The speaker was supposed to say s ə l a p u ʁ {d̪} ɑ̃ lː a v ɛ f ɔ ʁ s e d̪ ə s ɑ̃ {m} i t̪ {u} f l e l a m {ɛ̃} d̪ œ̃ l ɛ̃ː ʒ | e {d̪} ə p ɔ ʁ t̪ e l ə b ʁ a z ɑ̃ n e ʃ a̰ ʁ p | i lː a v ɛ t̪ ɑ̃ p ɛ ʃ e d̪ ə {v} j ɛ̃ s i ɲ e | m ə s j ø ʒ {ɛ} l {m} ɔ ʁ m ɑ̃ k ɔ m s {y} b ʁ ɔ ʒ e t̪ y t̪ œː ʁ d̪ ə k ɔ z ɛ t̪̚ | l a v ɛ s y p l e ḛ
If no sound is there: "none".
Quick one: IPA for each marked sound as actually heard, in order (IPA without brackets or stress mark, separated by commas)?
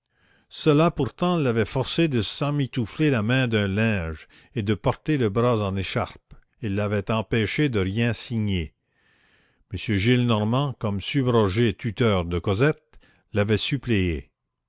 t̪, m, u, ɛ̃, d̪, ʁ, i, n, y